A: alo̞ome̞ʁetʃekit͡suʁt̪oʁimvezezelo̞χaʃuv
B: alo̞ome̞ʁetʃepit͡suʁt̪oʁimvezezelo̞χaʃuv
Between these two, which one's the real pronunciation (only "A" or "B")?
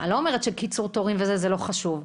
A